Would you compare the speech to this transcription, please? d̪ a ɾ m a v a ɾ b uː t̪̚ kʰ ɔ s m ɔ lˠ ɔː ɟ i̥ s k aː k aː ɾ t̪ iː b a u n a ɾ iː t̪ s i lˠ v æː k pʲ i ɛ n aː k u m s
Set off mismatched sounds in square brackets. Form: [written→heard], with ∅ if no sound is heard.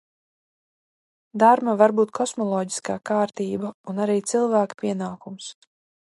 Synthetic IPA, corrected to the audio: d̪ a ɾ m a v a ɾ b uː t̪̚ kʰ ɔ s m ɔ lˠ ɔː ɟ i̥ s k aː k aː ɾ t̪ iː b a u n a ɾ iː t̪ s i lˠ v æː k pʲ i ɛ n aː k u m s

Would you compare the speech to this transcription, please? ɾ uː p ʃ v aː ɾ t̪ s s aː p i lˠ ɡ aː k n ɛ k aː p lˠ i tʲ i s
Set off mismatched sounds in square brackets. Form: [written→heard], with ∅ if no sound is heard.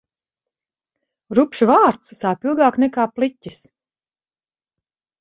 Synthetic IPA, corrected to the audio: ɾ [uː→u] p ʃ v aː ɾ t̪ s s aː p i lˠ ɡ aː k n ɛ k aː p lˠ i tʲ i s

